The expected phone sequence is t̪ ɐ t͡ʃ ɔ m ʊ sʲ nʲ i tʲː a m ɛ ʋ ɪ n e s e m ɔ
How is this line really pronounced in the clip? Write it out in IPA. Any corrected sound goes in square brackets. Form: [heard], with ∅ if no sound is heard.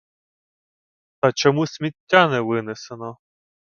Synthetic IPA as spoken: t̪ ɐ t͡ʃ ɔ m [u] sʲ [mʲ] i tʲː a [n] ɛ ʋ ɪ n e s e [n] ɔ